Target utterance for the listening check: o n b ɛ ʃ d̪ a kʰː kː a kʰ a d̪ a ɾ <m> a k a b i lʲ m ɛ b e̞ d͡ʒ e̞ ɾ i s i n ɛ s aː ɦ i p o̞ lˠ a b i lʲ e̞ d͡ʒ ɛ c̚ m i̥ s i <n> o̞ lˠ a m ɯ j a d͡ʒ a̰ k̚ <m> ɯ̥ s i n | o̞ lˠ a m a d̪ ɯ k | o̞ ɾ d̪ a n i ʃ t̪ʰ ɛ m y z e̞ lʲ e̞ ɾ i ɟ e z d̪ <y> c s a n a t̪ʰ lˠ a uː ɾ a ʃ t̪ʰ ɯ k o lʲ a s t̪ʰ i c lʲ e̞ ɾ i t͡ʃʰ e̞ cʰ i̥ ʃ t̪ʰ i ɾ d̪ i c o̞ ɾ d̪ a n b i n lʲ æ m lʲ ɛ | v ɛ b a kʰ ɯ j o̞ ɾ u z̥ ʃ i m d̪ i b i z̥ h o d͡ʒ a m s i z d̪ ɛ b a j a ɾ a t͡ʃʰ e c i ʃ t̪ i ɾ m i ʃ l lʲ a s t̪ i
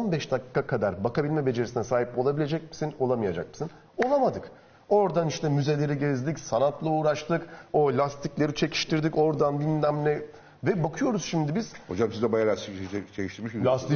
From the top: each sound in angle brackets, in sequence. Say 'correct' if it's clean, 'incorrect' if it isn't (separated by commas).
incorrect, correct, correct, incorrect